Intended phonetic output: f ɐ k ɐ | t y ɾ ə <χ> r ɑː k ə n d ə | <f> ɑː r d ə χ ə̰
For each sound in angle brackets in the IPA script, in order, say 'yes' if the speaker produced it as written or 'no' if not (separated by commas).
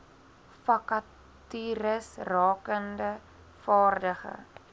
no, yes